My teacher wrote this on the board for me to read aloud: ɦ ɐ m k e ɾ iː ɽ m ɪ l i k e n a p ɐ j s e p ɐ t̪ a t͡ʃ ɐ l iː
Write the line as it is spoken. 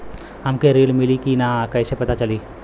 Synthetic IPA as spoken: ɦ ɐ m k e ɾ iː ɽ m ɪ l i k i n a k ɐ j s e p ɐ t̪ a t͡ʃ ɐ l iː